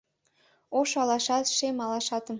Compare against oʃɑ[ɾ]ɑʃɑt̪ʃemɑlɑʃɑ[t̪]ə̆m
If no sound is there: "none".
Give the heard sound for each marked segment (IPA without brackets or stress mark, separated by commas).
l, t̪